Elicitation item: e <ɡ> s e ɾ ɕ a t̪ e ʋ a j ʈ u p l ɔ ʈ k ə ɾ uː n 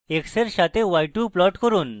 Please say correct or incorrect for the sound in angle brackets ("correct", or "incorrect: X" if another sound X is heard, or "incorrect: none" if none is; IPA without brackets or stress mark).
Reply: incorrect: k